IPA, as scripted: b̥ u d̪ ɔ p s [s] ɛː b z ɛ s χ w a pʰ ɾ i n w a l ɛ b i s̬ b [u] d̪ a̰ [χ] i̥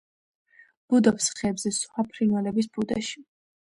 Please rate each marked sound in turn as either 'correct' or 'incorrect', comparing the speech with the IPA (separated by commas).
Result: incorrect, correct, incorrect